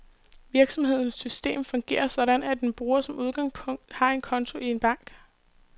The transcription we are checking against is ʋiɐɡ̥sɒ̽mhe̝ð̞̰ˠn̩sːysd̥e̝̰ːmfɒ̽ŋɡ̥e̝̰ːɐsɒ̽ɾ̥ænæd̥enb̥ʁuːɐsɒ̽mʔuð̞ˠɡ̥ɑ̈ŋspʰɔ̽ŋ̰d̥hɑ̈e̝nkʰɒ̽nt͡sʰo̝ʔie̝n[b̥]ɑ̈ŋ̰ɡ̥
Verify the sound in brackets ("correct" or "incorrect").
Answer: correct